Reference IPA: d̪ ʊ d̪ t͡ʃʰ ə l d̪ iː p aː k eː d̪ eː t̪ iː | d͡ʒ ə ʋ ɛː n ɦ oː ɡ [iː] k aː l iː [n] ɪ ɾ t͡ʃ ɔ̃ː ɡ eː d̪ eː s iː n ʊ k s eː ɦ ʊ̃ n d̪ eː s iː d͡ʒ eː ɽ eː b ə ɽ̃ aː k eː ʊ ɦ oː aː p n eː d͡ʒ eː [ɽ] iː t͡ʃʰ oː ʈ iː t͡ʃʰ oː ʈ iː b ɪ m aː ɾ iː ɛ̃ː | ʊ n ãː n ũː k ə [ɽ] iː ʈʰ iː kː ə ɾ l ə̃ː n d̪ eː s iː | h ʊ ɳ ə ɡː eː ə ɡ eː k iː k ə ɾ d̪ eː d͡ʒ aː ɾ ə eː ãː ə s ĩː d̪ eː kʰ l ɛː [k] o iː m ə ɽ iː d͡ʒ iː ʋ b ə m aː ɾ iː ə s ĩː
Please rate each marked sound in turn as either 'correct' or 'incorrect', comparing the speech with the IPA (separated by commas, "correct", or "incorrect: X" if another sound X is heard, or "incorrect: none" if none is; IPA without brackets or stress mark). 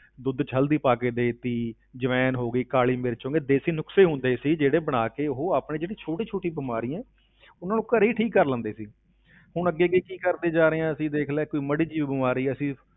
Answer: correct, incorrect: m, correct, incorrect: ɾ, correct